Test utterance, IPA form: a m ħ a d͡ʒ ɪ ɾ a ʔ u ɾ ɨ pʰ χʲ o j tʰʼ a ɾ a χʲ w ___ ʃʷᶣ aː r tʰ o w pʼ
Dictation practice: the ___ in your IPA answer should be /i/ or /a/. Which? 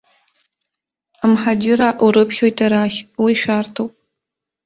i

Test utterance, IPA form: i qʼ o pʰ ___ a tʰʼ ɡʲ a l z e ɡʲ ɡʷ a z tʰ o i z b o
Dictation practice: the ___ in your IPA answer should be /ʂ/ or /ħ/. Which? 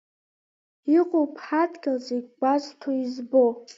ħ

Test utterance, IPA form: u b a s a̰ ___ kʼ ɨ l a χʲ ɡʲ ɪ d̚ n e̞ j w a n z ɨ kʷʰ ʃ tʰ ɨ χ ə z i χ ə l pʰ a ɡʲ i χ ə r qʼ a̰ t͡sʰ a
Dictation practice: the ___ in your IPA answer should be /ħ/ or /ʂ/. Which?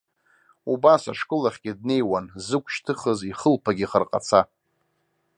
ʂ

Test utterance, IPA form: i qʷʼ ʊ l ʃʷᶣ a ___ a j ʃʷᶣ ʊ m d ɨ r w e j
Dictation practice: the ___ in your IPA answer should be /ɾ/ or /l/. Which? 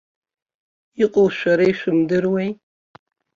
ɾ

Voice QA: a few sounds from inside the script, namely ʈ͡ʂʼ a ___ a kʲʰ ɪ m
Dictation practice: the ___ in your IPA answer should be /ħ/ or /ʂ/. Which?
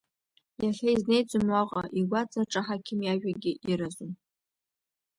ħ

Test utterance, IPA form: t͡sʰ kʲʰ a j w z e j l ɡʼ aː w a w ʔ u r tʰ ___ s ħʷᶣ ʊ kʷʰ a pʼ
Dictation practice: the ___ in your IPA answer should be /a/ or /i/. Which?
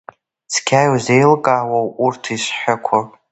i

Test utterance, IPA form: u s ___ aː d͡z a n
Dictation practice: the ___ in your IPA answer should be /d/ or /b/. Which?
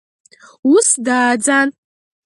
d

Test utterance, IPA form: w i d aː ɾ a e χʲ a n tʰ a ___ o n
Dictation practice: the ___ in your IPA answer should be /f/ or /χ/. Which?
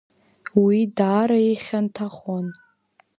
χ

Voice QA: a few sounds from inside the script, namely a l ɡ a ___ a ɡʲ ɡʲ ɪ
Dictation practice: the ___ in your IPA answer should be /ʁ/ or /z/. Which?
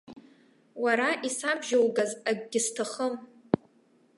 z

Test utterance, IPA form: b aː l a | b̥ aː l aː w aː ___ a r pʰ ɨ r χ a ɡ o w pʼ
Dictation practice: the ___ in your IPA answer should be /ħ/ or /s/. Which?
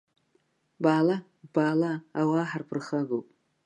ħ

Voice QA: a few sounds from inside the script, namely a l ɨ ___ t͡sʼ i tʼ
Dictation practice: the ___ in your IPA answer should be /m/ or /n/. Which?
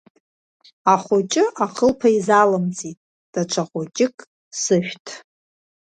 m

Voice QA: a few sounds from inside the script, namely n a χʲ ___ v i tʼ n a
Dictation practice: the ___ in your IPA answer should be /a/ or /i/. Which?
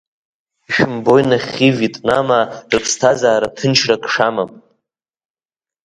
i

